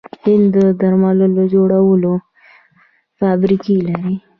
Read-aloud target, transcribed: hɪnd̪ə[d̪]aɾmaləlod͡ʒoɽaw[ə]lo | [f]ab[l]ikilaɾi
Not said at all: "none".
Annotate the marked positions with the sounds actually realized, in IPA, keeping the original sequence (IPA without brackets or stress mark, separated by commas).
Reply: d̪, ə, f, ɾ